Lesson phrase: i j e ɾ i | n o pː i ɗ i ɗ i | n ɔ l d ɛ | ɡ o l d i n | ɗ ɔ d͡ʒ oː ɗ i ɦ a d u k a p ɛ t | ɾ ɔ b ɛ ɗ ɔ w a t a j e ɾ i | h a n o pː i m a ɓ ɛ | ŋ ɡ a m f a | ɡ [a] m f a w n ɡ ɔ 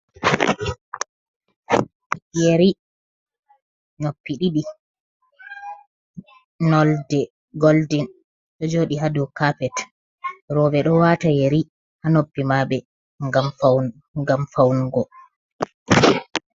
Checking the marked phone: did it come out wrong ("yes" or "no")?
no